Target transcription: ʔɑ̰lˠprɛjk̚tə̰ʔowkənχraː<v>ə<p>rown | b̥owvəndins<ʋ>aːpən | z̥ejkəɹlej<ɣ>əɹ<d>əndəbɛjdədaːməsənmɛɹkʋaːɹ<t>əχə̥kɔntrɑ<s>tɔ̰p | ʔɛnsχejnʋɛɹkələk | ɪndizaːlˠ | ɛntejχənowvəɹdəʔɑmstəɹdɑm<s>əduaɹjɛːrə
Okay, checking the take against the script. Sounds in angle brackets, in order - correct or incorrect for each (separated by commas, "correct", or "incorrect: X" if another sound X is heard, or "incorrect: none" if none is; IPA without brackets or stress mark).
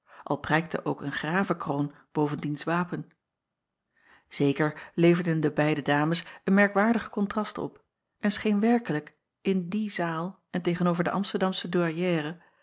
correct, incorrect: k, correct, incorrect: v, correct, incorrect: d, correct, correct